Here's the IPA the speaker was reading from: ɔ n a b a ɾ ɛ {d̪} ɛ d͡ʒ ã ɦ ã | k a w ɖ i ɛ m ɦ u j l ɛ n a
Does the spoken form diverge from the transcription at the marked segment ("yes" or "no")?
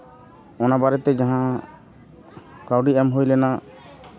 yes